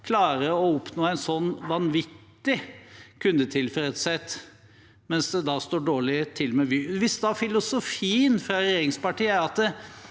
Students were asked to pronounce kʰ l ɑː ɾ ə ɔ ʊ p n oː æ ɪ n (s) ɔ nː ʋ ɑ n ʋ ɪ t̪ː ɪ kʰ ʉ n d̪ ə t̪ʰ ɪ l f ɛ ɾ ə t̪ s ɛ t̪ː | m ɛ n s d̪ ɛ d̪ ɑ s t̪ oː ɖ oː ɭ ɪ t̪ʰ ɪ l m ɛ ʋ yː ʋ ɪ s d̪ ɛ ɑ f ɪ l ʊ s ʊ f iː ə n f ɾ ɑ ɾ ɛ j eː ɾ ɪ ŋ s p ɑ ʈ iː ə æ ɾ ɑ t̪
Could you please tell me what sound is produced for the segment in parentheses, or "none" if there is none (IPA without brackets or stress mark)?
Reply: s